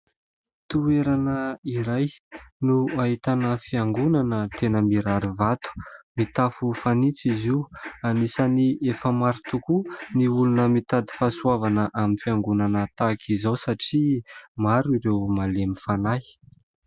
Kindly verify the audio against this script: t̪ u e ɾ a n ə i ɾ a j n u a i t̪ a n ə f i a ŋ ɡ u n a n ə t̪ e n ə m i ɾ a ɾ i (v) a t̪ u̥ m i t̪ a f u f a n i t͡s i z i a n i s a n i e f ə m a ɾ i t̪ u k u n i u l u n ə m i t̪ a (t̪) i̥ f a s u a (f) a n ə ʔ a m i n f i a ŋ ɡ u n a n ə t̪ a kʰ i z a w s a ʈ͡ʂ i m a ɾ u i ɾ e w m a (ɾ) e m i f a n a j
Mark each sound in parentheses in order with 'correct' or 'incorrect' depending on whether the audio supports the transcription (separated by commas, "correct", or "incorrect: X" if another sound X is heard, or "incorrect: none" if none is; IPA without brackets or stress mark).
correct, incorrect: d̪, incorrect: v, incorrect: l